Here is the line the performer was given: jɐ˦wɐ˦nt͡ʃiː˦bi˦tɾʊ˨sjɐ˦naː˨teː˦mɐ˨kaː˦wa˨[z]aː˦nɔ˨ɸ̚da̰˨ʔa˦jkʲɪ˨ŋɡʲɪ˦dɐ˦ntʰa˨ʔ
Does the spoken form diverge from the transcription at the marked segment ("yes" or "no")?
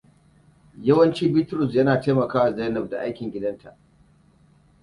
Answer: no